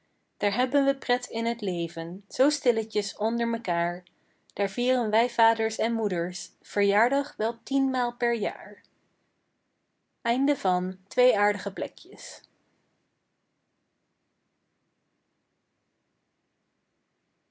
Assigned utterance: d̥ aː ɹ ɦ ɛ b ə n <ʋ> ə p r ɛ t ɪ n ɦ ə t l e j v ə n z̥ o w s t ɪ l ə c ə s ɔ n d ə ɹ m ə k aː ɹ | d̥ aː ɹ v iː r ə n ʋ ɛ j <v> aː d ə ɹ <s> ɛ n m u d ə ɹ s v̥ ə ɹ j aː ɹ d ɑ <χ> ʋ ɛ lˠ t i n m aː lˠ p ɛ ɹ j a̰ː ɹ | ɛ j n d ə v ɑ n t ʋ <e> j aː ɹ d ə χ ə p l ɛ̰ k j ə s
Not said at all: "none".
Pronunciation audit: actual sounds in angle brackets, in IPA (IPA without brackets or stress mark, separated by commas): ʋ, v, s, χ, e